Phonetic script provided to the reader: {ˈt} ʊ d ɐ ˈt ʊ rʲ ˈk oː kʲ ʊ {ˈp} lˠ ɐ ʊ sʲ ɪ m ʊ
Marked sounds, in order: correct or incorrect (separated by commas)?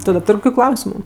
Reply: correct, incorrect